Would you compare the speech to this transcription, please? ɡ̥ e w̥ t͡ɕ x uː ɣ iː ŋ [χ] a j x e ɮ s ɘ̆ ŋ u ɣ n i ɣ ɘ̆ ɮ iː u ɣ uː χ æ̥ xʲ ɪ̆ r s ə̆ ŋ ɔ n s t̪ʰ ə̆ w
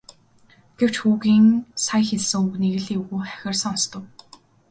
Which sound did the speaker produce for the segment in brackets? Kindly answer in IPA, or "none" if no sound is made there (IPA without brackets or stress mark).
s